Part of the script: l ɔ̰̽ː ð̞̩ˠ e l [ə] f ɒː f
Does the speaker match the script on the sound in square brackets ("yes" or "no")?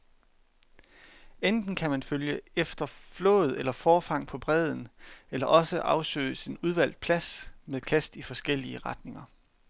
no